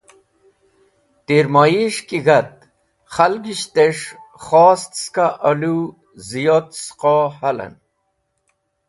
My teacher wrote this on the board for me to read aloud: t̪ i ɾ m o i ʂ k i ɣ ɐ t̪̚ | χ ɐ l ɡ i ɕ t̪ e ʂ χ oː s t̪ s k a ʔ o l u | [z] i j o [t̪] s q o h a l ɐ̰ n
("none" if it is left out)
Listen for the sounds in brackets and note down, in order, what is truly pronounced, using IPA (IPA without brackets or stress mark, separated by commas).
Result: z, t̪